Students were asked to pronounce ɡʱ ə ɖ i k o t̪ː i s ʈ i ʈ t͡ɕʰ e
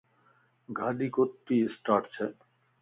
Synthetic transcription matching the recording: ɡʱ a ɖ i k o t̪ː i s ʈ a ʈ t͡ɕʰ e